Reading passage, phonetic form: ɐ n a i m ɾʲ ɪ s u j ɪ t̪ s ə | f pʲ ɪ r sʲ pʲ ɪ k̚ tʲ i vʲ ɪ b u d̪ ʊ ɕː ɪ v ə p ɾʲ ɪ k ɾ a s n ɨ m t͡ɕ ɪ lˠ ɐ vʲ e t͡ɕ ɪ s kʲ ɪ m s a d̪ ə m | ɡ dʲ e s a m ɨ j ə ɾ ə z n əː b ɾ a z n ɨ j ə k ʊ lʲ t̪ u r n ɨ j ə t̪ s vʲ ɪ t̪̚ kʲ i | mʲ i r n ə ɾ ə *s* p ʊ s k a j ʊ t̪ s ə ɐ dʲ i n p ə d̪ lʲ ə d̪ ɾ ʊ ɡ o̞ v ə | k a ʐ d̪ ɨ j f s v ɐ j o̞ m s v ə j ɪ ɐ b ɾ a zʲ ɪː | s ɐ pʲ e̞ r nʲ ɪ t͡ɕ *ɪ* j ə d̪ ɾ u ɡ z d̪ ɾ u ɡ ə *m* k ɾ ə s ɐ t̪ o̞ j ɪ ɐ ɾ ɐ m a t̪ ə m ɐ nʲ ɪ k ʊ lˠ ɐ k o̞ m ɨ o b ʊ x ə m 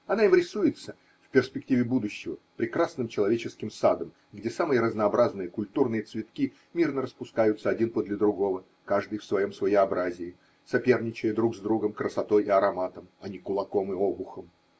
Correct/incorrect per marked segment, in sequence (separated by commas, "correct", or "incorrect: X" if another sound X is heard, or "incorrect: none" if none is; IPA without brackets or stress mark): correct, correct, correct